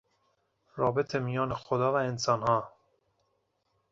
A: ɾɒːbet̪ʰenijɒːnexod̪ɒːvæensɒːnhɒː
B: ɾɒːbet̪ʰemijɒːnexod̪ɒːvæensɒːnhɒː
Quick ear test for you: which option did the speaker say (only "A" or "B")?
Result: B